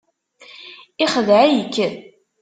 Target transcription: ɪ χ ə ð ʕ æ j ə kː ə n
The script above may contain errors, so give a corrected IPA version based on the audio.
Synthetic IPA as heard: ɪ χ ə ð ʕ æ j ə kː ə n